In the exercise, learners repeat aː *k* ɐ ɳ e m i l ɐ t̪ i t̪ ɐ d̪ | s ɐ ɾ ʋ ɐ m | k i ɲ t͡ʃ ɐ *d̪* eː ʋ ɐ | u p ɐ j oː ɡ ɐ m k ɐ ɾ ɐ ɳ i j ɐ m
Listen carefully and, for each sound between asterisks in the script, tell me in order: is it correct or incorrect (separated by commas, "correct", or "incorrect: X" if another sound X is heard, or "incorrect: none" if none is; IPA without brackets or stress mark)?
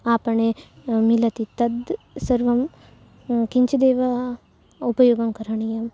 incorrect: p, correct